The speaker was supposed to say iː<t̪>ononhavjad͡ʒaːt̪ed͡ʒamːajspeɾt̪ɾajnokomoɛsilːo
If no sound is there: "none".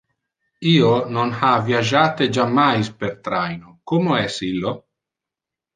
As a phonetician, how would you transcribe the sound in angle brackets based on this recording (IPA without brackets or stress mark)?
none